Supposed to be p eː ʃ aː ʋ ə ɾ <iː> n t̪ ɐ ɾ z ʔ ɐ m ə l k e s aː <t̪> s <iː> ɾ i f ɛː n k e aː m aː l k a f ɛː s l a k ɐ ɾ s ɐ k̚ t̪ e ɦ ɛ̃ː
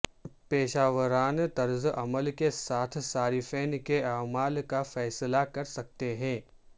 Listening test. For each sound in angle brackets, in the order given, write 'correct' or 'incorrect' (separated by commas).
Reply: incorrect, incorrect, incorrect